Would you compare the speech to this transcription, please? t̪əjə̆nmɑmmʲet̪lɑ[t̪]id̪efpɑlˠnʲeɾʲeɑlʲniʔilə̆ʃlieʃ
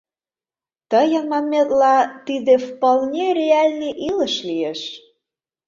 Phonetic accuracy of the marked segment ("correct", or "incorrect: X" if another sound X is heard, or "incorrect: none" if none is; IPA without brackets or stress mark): correct